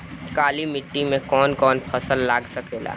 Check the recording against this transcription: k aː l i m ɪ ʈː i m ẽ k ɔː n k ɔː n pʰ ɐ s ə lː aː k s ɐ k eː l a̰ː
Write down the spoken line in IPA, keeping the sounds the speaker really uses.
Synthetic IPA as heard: k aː l i m ɪ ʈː i m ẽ k ɔː n k ɔː n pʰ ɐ s ə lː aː ɡ s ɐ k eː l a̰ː